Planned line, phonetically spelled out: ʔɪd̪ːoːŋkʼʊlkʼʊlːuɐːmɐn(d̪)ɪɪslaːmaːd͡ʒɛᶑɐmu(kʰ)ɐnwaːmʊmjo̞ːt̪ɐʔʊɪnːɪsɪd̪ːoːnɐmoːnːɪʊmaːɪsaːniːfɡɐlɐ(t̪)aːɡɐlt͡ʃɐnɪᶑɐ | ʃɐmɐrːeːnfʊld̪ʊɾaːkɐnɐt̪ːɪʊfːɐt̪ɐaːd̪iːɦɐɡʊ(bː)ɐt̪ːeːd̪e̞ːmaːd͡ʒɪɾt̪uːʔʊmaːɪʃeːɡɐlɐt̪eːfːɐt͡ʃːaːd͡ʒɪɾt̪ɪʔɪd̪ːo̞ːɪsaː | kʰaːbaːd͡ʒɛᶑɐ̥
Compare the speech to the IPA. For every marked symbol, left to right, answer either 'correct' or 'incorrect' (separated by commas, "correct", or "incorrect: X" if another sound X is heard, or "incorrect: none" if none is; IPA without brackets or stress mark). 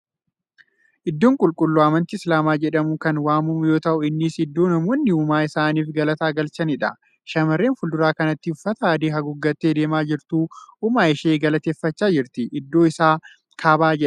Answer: incorrect: t̪, incorrect: k, correct, incorrect: ɡː